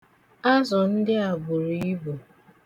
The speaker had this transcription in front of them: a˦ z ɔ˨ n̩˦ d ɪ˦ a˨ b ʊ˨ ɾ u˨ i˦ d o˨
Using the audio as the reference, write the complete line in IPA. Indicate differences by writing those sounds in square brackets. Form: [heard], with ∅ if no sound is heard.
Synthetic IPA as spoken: a˦ z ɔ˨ n̩˦ d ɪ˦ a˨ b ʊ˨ ɾ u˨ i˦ [b] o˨

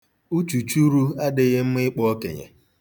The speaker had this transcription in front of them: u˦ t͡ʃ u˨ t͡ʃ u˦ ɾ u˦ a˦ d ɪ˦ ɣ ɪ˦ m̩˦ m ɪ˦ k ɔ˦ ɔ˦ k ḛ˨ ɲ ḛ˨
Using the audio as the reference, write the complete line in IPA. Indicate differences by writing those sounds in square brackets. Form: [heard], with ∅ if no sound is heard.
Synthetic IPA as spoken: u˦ t͡ʃ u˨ t͡ʃ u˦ ɾ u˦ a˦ d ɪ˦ ɣ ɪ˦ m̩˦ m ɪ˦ [k͡p] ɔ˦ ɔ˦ k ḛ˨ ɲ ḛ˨

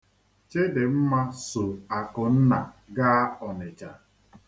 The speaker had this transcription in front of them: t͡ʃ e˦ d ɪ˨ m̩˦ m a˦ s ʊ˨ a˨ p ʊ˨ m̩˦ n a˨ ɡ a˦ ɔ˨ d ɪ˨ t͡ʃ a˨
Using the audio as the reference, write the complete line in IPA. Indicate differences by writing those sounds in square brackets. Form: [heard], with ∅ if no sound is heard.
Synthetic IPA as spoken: t͡ʃ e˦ d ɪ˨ m̩˦ m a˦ s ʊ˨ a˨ [k] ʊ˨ [n̩˦] n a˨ ɡ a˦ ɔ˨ [n] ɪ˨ t͡ʃ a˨

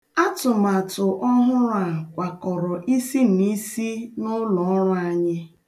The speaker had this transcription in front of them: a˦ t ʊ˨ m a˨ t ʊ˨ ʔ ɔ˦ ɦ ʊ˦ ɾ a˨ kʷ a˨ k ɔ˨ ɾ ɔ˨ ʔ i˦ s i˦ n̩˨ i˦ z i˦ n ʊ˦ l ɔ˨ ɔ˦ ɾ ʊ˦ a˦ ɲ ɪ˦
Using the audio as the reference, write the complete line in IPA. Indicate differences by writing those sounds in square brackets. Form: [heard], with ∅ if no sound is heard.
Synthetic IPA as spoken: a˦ t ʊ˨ m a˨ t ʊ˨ ʔ ɔ˦ ɦ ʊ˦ ɾ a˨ kʷ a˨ k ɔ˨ ɾ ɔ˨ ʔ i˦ s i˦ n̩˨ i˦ [s] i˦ n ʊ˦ l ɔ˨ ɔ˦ ɾ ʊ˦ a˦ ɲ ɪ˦

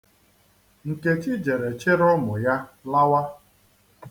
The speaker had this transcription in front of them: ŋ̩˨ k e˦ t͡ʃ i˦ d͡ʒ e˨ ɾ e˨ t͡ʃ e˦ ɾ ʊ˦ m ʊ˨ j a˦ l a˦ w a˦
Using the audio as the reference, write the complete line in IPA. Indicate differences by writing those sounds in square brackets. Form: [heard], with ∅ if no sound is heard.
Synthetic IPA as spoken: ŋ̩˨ k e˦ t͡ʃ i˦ d͡ʒ e˨ ɾ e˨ t͡ʃ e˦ ɾ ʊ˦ m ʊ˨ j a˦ l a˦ w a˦

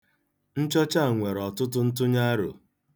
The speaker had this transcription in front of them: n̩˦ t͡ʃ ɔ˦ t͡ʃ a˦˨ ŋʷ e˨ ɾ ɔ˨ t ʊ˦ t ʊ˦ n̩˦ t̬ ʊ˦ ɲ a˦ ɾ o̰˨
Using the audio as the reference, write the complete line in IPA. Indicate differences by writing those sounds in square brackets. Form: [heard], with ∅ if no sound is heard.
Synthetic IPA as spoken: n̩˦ t͡ʃ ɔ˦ t͡ʃ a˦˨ ŋʷ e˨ ɾ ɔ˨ t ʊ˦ t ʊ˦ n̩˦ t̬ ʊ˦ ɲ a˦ ɾ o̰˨

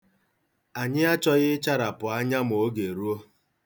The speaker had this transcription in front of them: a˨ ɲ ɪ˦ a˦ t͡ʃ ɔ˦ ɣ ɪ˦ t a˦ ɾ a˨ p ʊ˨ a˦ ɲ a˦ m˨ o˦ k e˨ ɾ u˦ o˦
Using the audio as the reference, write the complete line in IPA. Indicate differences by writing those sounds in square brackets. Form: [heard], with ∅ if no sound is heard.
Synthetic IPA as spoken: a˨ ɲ ɪ˦ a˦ t͡ʃ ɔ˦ ɣ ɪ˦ [t͡ʃ] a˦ ɾ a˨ p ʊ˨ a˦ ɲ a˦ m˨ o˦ [ɡ] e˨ ɾ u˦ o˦

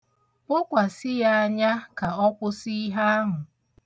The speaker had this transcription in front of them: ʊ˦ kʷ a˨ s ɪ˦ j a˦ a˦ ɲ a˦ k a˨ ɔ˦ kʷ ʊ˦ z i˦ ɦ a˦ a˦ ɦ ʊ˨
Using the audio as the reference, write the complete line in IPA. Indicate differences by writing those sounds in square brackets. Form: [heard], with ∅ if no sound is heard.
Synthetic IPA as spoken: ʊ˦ kʷ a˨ s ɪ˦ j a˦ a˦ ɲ a˦ k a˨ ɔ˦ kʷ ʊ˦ [s] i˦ ɦ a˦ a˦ ɦ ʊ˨

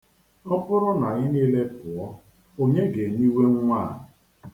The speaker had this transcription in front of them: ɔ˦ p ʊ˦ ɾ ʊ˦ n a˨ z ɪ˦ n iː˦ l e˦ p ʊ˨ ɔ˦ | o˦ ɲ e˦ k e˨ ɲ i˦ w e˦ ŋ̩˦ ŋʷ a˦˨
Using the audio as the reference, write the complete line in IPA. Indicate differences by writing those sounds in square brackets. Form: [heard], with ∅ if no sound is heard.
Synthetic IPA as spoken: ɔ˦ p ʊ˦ ɾ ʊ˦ n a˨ [ɣ] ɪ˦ n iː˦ l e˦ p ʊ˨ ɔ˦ | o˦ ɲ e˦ [ɡ] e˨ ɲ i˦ w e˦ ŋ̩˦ ŋʷ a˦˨

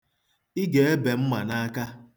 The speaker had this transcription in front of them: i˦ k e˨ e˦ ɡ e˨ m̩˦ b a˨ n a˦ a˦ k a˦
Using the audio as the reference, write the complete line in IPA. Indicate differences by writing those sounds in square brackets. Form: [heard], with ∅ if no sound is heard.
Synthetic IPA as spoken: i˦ [ɡ] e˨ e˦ [b] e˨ m̩˦ [m] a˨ n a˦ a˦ k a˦

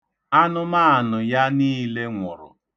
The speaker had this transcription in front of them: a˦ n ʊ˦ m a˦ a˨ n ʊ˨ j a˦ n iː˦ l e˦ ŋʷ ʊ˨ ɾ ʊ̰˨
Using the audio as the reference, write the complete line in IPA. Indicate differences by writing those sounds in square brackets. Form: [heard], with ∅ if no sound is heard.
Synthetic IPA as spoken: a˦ n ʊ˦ m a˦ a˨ n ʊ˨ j a˦ n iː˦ l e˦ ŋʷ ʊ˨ ɾ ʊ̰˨

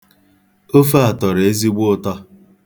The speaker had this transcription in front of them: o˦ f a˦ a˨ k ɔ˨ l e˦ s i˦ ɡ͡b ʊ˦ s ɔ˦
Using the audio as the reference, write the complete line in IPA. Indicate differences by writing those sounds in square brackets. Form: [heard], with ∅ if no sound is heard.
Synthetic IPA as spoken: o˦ f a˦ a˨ [t] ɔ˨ [ɾ] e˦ [z] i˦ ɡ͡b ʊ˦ [t] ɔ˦

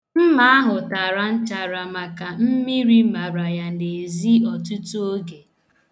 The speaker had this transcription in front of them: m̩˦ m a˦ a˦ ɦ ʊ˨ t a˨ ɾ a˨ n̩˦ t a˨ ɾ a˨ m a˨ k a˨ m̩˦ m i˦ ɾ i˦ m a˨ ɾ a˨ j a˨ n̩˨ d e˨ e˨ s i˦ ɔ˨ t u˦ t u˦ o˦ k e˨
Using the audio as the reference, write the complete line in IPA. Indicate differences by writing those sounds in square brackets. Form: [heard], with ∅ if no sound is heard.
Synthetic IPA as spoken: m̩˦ m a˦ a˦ ɦ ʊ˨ t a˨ ɾ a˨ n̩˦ [t͡ʃ] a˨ ɾ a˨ m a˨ k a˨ m̩˦ m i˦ ɾ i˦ m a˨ ɾ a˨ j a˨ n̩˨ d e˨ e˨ [z] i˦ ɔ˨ t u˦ t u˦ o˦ [ɡ] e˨

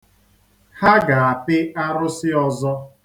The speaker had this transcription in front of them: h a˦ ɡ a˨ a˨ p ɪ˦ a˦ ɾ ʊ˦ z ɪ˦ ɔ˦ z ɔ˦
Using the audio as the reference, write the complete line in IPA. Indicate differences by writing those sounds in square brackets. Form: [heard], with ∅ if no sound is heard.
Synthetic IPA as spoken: h a˦ ɡ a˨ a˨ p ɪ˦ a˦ ɾ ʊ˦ [s] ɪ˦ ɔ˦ z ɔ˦

